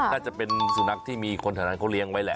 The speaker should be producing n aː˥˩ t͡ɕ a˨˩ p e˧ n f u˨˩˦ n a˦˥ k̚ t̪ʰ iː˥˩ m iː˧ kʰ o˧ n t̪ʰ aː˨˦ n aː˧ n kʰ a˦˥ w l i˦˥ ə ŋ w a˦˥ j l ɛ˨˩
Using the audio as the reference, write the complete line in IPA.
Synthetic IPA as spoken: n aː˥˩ t͡ɕ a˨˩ p e˧ n s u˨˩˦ n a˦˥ k̚ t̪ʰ iː˥˩ m iː˧ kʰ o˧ n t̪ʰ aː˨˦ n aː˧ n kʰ a˦˥ w l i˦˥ ə ŋ w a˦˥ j l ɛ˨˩